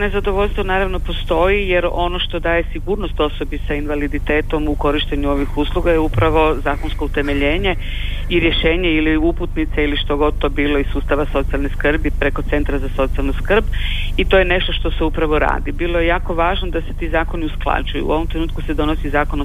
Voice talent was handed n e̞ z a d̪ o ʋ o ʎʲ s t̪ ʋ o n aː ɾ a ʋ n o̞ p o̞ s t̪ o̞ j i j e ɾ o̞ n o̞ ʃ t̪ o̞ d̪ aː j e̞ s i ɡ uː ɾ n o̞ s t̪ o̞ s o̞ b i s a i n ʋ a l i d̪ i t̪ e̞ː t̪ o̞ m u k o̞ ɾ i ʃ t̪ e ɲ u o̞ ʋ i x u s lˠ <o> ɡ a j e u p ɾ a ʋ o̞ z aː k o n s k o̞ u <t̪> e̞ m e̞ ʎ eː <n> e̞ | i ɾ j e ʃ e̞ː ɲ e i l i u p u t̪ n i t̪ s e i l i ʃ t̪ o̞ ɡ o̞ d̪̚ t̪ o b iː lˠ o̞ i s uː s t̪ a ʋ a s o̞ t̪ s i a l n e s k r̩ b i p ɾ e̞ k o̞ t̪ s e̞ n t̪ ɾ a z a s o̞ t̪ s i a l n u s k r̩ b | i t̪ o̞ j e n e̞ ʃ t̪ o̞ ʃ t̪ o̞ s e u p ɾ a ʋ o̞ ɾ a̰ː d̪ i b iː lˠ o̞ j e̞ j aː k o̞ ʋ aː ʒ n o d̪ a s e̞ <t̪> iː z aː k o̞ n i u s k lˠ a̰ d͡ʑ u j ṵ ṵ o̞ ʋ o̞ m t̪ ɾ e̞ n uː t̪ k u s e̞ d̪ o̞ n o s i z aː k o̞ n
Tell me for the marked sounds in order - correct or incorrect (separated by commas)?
incorrect, correct, incorrect, correct